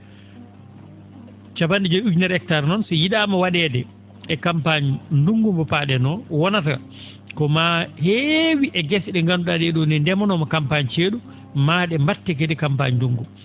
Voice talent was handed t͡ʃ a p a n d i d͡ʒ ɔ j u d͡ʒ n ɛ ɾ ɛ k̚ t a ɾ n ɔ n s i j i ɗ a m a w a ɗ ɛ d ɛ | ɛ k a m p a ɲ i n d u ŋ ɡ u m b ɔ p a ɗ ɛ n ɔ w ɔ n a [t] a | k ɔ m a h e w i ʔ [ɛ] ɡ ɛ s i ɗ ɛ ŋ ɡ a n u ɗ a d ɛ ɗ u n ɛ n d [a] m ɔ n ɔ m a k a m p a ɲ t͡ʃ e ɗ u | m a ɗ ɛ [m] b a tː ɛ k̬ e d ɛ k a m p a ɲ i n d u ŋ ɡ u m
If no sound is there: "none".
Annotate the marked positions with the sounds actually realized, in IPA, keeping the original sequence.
t, ɛ, ɛ, m

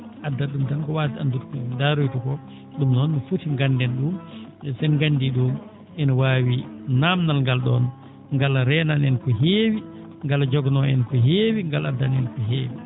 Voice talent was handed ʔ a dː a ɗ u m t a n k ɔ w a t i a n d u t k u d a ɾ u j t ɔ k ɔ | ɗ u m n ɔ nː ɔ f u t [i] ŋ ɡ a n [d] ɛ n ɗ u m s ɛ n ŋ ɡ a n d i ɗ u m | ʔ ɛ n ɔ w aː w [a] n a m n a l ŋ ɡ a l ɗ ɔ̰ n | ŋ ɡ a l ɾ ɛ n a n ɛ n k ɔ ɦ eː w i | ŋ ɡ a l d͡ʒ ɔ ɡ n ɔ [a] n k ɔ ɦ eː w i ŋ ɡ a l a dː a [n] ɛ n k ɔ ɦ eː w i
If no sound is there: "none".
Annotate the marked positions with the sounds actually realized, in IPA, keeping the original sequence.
i, d, i, ɛ, n

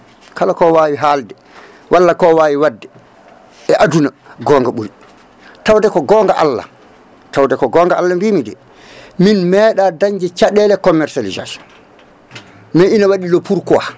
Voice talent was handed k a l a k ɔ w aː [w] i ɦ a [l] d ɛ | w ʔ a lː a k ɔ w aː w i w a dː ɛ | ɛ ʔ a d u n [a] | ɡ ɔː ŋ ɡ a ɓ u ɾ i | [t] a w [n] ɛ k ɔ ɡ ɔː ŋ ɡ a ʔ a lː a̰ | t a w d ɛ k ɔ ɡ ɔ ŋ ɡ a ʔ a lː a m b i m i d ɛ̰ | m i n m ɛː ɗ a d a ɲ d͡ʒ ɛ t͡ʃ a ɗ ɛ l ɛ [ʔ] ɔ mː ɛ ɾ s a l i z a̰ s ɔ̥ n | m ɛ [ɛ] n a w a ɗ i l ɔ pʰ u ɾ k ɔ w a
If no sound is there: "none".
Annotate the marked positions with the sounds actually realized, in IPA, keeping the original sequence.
w, l, a, t, d, k, i

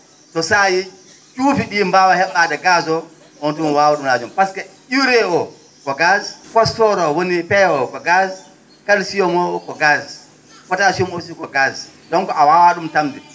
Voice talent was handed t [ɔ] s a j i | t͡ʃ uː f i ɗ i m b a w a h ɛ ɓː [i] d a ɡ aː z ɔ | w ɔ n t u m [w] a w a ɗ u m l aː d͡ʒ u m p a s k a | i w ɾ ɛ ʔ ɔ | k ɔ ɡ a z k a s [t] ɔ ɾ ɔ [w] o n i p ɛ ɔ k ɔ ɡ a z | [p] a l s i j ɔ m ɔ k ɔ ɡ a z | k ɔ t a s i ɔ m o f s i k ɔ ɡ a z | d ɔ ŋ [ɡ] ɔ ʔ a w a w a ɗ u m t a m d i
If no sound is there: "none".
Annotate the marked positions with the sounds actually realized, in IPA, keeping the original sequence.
ɔ, a, w, t, w, k, k

